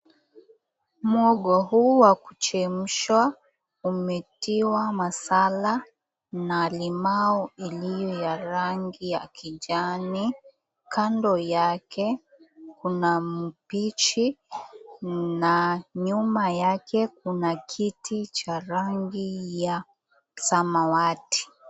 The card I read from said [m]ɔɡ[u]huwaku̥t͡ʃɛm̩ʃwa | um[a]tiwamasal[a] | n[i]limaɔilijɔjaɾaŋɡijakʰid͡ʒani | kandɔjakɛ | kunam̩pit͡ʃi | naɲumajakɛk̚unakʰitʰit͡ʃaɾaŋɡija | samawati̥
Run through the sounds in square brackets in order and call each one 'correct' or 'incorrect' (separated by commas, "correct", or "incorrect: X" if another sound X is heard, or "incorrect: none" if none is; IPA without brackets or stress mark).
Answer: correct, incorrect: ɔ, incorrect: ɛ, correct, incorrect: a